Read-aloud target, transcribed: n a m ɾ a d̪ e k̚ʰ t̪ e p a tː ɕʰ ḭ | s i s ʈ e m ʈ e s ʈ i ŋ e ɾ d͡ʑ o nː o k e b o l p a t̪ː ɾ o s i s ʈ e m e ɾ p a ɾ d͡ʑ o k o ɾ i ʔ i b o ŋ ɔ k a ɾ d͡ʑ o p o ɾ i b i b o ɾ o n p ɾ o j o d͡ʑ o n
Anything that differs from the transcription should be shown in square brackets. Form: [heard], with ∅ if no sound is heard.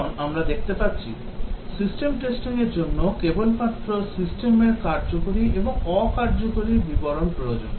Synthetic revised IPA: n a m ɾ a d̪ e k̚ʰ t̪ e p a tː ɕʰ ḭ | s i s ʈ e m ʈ e s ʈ i ŋ e ɾ d͡ʑ o nː o k e b o l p a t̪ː ɾ o s i s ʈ e m e ɾ [k] a ɾ d͡ʑ o k o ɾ i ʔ [e] b o ŋ ɔ k a ɾ d͡ʑ o [k] o ɾ i b i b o ɾ o n p ɾ o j o d͡ʑ o n

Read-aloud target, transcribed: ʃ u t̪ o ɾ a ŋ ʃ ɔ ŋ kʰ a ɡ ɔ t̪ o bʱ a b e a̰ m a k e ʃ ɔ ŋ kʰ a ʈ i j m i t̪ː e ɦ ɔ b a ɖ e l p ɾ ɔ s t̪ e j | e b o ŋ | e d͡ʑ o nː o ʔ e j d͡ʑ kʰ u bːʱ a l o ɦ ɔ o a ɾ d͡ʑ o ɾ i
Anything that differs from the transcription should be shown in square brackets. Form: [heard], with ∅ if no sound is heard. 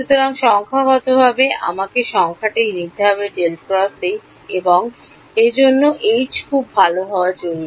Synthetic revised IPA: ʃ u t̪ o ɾ a ŋ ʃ ɔ ŋ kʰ a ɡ ɔ t̪ o bʱ a b e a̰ m a k e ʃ ɔ ŋ kʰ a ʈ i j [n] i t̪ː e ɦ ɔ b [e] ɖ e l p ɾ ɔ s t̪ e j | e b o ŋ | e d͡ʑ o nː o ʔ e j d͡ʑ kʰ u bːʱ a l o ɦ ɔ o a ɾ d͡ʑ o ɾ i

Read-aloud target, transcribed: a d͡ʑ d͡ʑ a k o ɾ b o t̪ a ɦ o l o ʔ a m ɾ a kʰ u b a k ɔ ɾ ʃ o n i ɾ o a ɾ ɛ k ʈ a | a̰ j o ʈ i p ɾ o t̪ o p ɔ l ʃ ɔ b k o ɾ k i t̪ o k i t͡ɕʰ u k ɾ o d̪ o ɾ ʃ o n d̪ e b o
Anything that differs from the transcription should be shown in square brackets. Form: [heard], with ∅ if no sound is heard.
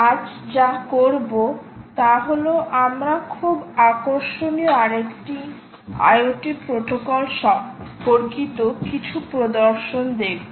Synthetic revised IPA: a d͡ʑ d͡ʑ a k o ɾ b o t̪ a ɦ o l o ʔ a m ɾ a kʰ u b a k [o] ɾ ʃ o n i [∅] o a ɾ [e] k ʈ [i] | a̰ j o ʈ i p ɾ o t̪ o [k] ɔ l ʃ ɔ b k o ɾ k i t̪ o k i t͡ɕʰ u [p] ɾ o d̪ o ɾ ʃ o n d̪ e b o

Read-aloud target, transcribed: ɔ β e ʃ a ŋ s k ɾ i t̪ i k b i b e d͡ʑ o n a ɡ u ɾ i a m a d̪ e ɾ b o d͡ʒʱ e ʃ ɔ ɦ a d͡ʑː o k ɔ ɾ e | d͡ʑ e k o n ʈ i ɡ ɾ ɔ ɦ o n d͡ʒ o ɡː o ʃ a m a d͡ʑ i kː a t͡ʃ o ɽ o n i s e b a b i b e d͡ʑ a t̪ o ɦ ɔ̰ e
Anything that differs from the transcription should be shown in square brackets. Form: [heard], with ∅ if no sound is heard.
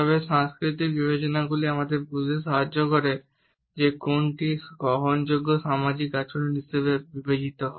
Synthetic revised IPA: ɔ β e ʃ a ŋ s k ɾ i t̪ i k b i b e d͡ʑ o n a ɡ u [l] i a m a d̪ e ɾ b [u] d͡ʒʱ e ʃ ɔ ɦ a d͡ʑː o k ɔ ɾ e | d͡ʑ e k o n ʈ i ɡ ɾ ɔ ɦ o n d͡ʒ o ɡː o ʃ a m a d͡ʑ i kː a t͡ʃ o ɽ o n i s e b [e] b i b e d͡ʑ [i] t̪ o ɦ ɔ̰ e

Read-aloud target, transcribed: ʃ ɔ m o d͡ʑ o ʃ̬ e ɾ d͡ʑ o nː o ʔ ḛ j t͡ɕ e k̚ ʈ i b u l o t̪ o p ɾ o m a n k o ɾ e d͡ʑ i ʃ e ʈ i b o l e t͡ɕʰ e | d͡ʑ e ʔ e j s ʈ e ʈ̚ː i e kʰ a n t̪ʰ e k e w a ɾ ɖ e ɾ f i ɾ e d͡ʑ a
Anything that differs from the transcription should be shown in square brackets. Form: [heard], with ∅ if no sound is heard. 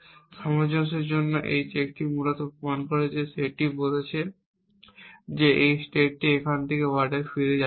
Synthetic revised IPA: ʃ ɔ m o d͡ʑ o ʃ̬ e ɾ d͡ʑ o nː o ʔ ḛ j t͡ɕ e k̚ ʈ i [m] u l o t̪ o p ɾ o m a n k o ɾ e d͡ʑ [e] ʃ e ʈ i b o l e t͡ɕʰ e | d͡ʑ e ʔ e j s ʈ e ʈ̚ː i e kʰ a n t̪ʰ e k e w a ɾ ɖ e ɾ f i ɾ e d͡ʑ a

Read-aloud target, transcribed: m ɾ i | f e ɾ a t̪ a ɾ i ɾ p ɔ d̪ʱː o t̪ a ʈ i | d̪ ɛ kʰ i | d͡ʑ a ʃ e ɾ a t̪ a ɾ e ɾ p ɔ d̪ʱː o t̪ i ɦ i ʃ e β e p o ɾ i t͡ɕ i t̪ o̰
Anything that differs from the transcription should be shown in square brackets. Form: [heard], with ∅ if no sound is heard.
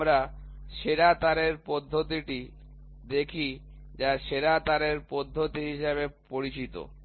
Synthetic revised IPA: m ɾ [a] | [ʃ] e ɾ a t̪ a ɾ [e] ɾ p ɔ d̪ʱː o t̪ [i] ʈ i | d̪ [e] kʰ i | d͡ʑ a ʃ e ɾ a t̪ a ɾ e ɾ p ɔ d̪ʱː o t̪ i ɦ i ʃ e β e p o ɾ i t͡ɕ i t̪ o̰

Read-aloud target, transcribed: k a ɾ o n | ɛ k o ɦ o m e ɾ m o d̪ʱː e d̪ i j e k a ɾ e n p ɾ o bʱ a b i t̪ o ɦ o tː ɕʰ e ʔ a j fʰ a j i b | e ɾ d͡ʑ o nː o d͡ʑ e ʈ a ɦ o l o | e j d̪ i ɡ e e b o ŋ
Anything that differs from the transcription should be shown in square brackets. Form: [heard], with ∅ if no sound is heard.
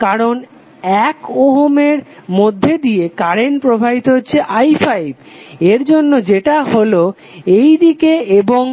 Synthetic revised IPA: k a ɾ o n | ɛ k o ɦ o m e ɾ m o d̪ʱː e d̪ i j e k a ɾ e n p ɾ o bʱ a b i t̪ o ɦ o tː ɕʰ e ʔ a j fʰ a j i b | e ɾ d͡ʑ o nː o d͡ʑ e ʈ a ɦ o l o | e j d̪ i [k] e e b o ŋ

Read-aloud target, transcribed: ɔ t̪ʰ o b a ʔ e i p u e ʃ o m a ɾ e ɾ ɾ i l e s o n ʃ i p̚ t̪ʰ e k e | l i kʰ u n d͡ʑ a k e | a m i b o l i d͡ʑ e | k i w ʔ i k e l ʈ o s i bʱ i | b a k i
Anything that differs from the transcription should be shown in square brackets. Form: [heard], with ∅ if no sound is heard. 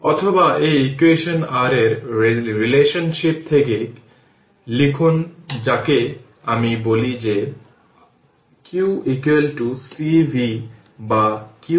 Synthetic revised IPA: ɔ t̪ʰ o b a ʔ e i [k] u e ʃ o [n] a ɾ e ɾ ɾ i l e [ʃ] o n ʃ i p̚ t̪ʰ e k e | l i kʰ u n d͡ʑ a k e | a m i b o l i d͡ʑ e | k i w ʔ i k e l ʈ [u] s i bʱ i | b a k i

